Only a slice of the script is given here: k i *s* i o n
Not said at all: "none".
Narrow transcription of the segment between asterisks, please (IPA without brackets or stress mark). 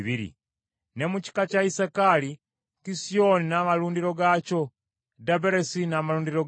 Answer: s